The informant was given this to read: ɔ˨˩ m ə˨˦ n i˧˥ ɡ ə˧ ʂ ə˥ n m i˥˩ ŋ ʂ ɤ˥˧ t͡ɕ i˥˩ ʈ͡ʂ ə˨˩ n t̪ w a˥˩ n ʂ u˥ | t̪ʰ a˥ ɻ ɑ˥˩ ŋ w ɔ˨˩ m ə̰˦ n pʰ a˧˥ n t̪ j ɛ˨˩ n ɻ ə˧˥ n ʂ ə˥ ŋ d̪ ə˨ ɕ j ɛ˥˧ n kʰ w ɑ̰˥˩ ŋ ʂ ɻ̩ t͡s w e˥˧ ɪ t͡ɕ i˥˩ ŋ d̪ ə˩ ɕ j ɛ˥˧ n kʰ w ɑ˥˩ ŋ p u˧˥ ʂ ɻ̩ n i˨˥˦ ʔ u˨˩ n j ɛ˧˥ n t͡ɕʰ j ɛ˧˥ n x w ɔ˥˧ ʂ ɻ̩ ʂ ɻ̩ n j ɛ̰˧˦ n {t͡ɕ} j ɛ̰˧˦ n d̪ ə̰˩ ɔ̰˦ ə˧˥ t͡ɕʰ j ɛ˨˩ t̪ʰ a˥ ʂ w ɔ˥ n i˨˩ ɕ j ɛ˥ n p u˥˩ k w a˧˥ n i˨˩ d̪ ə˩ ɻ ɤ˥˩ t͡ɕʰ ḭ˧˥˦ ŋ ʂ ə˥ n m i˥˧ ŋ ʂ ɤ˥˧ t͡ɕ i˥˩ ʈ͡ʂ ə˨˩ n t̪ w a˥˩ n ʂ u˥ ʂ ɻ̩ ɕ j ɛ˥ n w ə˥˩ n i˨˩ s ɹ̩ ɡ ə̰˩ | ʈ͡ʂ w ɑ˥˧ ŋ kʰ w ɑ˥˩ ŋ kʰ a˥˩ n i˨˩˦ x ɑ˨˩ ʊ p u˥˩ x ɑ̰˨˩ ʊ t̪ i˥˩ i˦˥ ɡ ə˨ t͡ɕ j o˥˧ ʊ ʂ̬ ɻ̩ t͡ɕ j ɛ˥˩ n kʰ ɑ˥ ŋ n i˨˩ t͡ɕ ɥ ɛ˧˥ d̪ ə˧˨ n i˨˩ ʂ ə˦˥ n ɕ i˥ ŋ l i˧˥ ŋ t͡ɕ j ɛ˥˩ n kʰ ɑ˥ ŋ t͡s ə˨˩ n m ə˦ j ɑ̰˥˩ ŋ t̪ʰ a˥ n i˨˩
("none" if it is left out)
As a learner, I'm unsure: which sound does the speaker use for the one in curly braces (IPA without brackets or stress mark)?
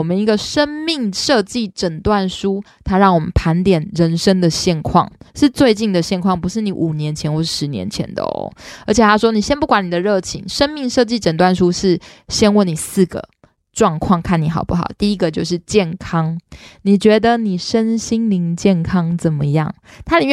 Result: t͡ɕʰ